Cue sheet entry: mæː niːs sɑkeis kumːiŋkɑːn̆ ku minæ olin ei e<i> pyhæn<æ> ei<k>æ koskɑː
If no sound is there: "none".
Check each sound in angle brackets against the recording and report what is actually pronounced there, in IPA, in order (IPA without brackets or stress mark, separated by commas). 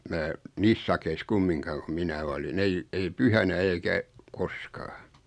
i, æ, k